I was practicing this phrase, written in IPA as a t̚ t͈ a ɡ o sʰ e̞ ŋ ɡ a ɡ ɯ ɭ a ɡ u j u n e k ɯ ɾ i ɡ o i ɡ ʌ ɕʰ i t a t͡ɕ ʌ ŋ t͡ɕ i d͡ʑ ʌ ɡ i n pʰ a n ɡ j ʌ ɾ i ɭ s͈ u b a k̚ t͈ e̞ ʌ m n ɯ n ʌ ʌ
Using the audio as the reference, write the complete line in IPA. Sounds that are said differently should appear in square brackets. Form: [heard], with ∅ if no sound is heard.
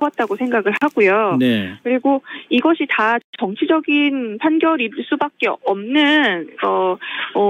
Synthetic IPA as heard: a t̚ t͈ a ɡ o sʰ e̞ ŋ ɡ a ɡ ɯ ɭ a ɡ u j [o] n e k ɯ ɾ i ɡ o i ɡ ʌ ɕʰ i t a t͡ɕ ʌ ŋ [t͡ɕʰ] i d͡ʑ ʌ ɡ i n pʰ a n ɡ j ʌ ɾ i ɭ s͈ u b a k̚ [k͈] e̞ ʌ m n ɯ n ʌ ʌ